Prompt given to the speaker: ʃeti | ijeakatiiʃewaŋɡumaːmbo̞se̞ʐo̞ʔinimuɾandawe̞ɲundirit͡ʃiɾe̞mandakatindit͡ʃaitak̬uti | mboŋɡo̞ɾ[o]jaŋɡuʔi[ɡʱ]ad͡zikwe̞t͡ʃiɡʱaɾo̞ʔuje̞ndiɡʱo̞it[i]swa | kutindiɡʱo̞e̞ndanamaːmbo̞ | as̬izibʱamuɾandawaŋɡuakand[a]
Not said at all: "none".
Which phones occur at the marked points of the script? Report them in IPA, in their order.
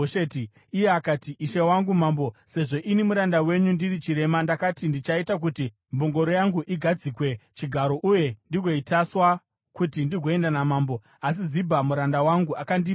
o, ɡʱ, a, i

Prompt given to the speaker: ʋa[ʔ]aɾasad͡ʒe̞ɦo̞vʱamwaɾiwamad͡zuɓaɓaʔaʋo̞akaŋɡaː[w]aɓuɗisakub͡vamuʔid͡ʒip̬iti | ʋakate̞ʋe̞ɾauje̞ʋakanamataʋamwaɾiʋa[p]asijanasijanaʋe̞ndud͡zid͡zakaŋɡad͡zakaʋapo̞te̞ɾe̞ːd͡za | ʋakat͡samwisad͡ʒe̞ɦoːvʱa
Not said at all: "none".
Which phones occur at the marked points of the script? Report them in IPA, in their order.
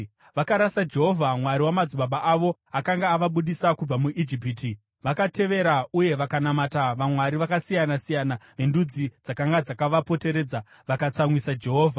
k, ʋ, k

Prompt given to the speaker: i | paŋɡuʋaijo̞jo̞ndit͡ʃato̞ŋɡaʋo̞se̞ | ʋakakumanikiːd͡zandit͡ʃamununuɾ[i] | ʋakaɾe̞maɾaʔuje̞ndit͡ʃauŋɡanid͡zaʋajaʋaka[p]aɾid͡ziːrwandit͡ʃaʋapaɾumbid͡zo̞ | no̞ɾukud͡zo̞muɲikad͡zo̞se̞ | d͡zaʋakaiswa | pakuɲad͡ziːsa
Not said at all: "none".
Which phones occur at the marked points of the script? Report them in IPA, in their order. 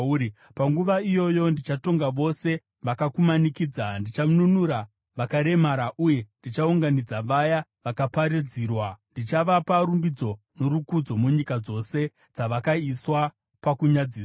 a, p

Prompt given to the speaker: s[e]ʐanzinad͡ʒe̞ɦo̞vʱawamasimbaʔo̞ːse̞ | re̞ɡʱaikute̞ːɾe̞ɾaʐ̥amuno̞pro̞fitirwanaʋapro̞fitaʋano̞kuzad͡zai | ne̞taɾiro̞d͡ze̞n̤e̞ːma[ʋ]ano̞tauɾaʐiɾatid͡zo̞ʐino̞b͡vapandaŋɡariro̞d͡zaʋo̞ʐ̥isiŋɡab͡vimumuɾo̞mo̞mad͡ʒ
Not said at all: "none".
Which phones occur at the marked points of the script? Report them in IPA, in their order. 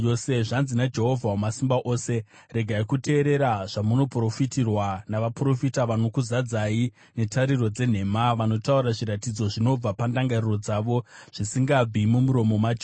e, ʋ

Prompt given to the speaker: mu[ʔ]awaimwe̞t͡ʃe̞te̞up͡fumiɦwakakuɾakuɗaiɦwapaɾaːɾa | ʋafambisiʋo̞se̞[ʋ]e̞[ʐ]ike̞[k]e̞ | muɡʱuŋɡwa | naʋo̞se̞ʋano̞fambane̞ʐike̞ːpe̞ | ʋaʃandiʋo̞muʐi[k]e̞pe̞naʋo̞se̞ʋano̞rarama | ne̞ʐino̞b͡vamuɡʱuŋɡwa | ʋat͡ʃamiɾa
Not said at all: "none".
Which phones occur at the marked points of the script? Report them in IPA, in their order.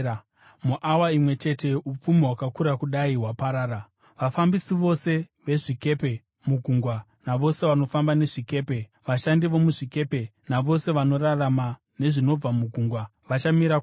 ʔ, ʋ, ʐ, p, k

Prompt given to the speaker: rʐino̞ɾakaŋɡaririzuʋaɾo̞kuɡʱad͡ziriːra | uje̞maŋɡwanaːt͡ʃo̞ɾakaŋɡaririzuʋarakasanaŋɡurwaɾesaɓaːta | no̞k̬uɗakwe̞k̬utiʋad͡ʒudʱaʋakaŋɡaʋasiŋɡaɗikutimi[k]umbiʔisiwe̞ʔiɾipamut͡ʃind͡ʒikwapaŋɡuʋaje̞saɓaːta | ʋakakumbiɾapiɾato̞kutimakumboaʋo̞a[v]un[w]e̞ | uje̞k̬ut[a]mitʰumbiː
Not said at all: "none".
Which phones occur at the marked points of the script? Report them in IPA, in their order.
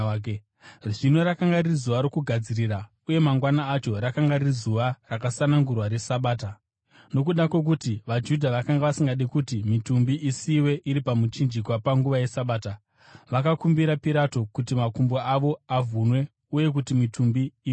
t, v, w, i

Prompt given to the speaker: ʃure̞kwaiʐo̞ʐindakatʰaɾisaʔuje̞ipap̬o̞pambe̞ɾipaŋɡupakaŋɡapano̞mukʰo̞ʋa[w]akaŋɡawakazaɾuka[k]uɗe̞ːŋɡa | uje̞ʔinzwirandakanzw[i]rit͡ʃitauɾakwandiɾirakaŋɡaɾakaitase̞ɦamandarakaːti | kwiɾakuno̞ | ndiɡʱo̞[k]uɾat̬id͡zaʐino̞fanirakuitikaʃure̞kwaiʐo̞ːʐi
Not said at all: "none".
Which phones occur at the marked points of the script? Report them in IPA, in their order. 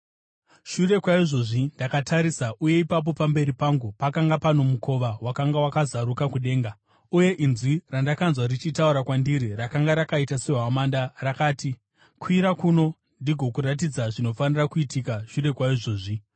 w, k, a, k

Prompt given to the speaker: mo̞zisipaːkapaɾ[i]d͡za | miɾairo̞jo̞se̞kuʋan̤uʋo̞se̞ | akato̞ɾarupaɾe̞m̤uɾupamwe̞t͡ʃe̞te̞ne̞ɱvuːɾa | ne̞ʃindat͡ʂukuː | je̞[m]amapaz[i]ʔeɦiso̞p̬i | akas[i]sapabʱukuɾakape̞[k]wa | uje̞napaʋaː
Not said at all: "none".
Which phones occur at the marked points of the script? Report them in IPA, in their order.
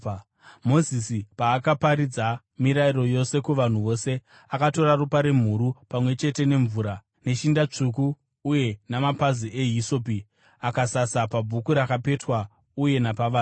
i, n, i, a, t

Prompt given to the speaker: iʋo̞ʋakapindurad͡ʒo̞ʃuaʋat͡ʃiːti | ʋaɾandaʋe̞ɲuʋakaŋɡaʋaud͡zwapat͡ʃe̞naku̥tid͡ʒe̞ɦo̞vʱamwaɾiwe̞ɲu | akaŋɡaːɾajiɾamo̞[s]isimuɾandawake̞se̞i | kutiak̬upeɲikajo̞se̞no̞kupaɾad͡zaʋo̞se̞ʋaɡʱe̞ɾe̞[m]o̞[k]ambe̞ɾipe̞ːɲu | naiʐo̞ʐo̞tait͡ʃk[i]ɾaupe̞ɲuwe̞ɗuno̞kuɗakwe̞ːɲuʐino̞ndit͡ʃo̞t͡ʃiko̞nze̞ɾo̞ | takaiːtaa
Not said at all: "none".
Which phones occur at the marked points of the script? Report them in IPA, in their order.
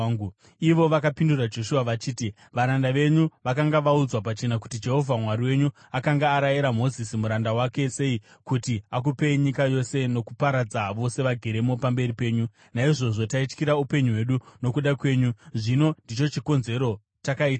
z, m, p, i

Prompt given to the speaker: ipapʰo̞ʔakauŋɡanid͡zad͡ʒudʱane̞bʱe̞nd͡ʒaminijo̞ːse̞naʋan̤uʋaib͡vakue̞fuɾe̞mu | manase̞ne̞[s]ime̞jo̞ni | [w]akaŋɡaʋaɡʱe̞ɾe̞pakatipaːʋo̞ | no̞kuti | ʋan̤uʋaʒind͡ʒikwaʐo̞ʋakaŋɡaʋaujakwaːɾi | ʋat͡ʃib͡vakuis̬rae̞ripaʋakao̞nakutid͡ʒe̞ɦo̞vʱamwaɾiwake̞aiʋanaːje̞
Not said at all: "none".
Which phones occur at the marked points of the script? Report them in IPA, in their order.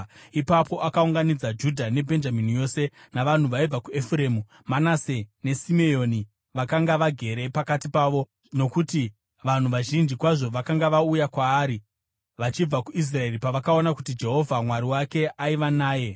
s, ʋ

